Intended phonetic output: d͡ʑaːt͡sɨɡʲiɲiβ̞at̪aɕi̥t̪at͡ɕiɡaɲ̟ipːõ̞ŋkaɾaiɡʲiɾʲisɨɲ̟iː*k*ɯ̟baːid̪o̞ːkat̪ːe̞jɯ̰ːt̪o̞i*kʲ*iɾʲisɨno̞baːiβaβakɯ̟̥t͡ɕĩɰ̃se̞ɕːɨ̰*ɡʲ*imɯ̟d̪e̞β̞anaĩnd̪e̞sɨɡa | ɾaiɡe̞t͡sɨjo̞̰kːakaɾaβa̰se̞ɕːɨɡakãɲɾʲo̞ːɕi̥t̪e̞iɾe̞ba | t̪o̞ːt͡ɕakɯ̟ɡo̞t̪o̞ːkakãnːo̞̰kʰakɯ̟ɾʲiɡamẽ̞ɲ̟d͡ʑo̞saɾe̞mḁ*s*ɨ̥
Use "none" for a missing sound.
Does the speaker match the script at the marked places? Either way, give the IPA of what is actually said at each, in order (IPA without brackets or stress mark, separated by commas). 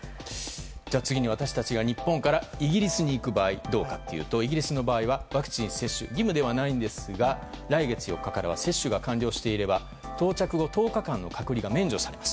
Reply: k, ɡʲ, ɡʲ, s